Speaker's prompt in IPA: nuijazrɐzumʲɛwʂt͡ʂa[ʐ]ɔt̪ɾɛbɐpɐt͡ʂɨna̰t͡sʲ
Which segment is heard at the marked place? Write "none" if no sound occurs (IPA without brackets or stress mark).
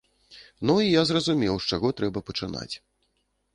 ɣ